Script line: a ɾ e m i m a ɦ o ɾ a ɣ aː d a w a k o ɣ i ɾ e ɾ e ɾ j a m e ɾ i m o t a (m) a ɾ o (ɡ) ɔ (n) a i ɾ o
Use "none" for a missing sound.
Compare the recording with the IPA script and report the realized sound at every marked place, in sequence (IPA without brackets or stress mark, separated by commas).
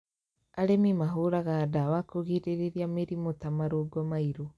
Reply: m, ɡ, m